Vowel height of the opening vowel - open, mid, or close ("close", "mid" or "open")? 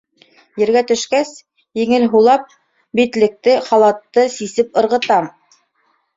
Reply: mid